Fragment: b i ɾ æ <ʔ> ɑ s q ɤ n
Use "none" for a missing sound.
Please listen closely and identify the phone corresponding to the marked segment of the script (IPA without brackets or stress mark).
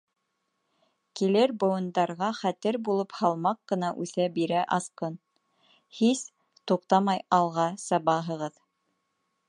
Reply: ʔ